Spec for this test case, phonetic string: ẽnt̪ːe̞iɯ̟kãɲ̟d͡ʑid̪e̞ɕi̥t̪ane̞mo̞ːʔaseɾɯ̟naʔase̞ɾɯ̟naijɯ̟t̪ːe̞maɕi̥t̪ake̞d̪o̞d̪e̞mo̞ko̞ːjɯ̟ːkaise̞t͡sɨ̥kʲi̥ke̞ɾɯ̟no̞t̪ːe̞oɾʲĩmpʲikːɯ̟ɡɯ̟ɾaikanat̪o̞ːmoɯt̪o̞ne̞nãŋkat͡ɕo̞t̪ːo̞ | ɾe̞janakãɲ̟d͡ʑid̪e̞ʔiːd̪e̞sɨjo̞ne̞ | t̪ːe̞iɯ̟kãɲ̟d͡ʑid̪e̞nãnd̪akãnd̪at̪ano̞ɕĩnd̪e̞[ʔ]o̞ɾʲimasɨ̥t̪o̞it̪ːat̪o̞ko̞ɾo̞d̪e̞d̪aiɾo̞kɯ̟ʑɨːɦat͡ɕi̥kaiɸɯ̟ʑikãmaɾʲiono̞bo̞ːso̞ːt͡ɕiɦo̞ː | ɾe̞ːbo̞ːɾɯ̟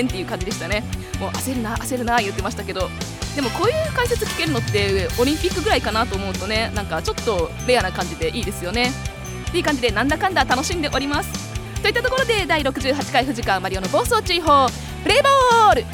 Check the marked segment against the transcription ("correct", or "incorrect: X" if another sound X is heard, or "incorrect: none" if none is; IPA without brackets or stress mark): correct